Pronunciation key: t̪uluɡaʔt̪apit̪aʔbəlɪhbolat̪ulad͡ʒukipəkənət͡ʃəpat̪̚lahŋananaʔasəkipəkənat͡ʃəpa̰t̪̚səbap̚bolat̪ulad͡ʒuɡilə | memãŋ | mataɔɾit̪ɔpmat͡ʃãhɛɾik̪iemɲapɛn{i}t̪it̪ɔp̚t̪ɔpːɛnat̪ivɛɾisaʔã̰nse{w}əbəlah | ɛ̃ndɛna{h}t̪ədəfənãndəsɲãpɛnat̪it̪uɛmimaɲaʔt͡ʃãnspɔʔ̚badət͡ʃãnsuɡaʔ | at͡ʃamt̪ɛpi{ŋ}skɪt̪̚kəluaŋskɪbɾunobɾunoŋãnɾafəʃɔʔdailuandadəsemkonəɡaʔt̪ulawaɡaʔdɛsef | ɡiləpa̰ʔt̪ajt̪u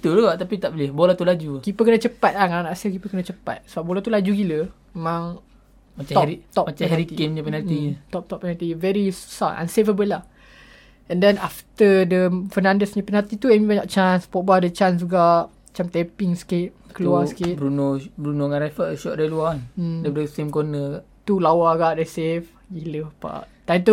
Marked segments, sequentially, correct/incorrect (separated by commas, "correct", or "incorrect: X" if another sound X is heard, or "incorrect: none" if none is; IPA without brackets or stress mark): incorrect: a, incorrect: v, incorrect: f, correct